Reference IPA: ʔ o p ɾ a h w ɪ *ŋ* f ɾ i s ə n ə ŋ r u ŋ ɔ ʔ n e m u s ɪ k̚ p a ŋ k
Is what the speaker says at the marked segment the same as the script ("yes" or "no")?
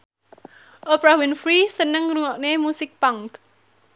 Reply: no